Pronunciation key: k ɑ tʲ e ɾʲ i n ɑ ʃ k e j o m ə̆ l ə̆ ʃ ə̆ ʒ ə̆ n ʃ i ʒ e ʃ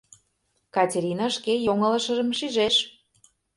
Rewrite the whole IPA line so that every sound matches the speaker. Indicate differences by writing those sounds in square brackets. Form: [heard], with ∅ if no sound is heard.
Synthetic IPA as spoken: k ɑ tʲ e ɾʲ i n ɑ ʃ k e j o [ŋ] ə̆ l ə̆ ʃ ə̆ ʒ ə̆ [m] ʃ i ʒ e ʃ